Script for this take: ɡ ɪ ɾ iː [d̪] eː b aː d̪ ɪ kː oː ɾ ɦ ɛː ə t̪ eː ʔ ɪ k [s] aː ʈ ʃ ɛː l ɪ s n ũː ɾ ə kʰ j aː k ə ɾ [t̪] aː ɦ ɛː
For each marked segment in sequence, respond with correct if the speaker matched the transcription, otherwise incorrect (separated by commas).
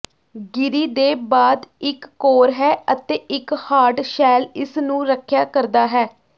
correct, incorrect, incorrect